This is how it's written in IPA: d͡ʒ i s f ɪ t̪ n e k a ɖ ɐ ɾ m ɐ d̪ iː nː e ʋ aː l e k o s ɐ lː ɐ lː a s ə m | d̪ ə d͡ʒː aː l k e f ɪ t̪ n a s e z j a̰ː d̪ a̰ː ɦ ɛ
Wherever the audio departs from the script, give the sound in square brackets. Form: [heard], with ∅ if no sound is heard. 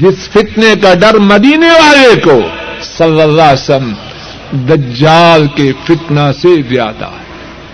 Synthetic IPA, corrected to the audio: d͡ʒ [ɪ] s f ɪ t̪ n e k a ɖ ɐ ɾ m ɐ d̪ iː [n] e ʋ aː l e k o s ɐ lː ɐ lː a s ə m | d̪ [ɐ] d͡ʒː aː l k e f ɪ t̪ n a s e z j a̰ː d̪ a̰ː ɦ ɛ